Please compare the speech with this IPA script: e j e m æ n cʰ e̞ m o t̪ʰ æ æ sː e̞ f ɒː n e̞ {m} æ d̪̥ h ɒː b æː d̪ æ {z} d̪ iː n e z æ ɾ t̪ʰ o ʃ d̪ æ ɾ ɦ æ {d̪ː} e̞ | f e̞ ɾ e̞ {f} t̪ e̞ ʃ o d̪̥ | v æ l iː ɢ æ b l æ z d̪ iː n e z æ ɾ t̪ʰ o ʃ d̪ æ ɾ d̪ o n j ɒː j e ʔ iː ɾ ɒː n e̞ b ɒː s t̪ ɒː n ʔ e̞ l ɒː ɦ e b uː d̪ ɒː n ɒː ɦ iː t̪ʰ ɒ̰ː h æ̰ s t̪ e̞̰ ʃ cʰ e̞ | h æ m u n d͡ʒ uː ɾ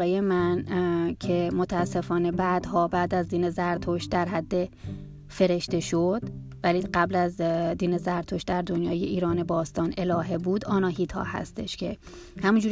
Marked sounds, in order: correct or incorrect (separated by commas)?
incorrect, correct, correct, incorrect